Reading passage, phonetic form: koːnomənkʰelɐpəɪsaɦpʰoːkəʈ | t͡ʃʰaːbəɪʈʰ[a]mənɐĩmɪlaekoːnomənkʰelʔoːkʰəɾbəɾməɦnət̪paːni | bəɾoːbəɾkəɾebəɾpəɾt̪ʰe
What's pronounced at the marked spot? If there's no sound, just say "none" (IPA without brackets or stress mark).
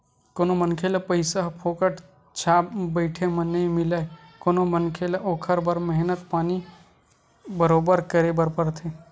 e